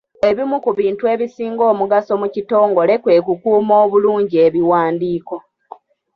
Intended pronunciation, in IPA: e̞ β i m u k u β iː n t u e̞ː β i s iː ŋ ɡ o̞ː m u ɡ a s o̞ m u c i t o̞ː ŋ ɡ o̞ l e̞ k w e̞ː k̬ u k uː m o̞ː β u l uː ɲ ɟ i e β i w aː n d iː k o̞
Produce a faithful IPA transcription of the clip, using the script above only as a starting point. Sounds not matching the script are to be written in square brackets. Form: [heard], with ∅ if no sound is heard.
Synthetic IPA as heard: e̞ β i m u k u β iː n t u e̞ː β i s iː ŋ ɡ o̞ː m u ɡ a s o̞ m u c i t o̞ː ŋ ɡ o̞ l e̞ k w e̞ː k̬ u k uː m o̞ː β u l uː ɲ ɟ i e β i w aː n d iː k o̞